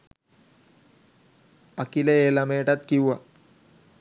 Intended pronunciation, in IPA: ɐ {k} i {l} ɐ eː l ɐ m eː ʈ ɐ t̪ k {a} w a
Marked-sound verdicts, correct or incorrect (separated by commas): correct, correct, incorrect